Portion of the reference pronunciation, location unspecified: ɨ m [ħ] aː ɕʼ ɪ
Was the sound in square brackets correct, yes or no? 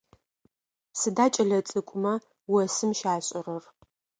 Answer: no